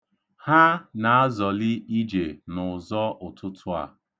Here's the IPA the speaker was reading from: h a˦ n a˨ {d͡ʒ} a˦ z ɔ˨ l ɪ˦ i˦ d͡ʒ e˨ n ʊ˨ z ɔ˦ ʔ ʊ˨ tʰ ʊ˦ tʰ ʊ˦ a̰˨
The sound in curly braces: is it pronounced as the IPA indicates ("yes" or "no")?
no